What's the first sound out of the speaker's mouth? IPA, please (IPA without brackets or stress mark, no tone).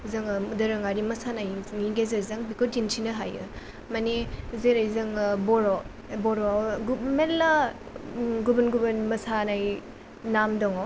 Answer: z